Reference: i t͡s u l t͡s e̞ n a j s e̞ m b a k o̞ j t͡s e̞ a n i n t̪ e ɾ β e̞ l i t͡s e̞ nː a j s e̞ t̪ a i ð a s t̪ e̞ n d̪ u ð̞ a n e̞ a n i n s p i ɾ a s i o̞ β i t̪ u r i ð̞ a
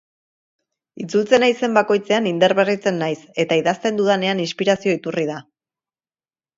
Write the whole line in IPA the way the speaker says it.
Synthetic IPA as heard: i t͡s u l t͡s e̞ n a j s e̞ m b a k o̞ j t͡s e̞ a n i n d̪ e ɾ β e̞ r i t͡s e̞ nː a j s e̞ t̪ a i ð a s t̪ e̞ n d̪ u ð̞ a n e̞ a n i n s p i ɾ a s i o̞ i t̪ u r i ð̞ a